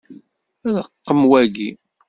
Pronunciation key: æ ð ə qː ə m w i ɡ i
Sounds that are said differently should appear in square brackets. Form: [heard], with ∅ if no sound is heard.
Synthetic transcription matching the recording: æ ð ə qː ə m w [æ] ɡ i